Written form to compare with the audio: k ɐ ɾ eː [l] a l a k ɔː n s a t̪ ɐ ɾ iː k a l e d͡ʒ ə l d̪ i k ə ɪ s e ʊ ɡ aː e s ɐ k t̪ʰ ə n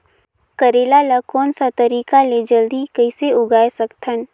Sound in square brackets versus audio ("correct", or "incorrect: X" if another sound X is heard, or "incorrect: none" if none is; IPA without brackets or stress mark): correct